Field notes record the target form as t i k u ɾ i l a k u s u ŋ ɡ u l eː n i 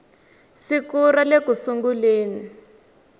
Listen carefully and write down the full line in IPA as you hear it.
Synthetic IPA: s i k u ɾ a l e k u s u ŋ ɡ u l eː n i